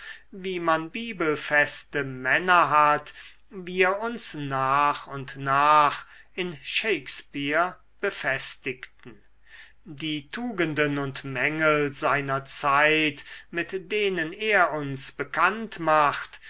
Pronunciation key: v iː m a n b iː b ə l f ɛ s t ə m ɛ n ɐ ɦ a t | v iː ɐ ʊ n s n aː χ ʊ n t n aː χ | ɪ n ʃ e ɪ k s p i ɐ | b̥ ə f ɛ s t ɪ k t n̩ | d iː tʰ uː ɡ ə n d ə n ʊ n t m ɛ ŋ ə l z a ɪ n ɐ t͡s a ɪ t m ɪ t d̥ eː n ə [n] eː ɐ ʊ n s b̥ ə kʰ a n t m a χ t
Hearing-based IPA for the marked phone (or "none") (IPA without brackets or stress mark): n